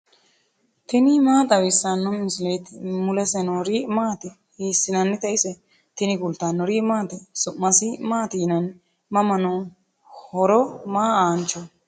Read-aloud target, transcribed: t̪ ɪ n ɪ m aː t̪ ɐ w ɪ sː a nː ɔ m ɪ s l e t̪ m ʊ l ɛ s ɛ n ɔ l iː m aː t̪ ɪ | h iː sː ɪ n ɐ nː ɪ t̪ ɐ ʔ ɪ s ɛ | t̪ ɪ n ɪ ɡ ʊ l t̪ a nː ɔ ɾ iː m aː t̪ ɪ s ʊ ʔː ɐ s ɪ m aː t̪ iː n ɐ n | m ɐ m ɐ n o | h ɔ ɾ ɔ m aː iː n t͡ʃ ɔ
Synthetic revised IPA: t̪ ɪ n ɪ m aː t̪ ɐ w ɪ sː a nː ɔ m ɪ s l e t̪ m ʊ l ɛ s ɛ n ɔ ɾ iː m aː t̪ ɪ | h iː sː ɪ n ɐ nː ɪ t̪ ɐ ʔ ɪ s ɛ | t̪ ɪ n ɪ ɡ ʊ l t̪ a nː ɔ ɾ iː m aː t̪ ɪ s ʊ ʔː ɐ s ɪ m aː t̪ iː n ɐ n | m ɐ m ɐ n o | h ɔ ɾ ɔ m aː aː n t͡ʃ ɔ